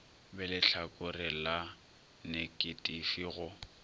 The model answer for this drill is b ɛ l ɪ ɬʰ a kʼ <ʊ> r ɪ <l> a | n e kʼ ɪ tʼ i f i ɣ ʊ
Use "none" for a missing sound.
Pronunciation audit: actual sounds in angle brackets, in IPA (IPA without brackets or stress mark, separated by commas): ʊ, l